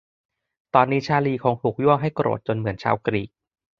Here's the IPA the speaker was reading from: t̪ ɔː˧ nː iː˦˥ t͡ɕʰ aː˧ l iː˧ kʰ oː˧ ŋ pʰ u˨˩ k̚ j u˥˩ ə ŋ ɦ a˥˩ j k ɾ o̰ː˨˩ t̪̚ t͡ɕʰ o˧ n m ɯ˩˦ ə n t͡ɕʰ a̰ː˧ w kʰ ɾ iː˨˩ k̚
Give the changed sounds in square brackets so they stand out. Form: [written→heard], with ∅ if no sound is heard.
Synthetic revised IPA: t̪ ɔː˧ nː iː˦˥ t͡ɕʰ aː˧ l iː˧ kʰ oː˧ ŋ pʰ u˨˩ k̚ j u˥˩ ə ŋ ɦ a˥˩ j k ɾ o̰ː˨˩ t̪̚ [t͡ɕʰ→t͡ɕ] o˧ n m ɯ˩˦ ə n t͡ɕʰ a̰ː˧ w [kʰ→k] ɾ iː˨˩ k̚